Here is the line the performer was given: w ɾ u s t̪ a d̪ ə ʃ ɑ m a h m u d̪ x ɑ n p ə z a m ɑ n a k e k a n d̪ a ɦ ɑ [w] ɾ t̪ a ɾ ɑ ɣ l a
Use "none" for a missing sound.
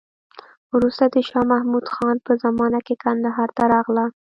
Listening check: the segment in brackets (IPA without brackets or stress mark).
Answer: none